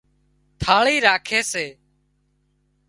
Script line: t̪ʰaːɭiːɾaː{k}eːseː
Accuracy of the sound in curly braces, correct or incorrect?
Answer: incorrect